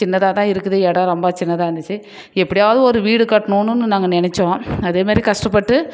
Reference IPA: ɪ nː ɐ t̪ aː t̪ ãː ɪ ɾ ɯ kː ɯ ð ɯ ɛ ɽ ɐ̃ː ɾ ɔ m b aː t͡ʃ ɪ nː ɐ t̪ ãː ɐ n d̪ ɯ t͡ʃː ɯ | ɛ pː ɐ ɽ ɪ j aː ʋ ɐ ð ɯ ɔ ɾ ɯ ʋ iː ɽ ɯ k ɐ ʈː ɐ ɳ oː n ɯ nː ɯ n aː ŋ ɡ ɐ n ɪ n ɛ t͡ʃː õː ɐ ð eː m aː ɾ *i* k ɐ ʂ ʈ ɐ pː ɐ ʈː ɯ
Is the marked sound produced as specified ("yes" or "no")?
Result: yes